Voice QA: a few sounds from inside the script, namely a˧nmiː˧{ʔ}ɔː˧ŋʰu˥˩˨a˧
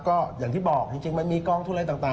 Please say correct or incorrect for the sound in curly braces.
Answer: incorrect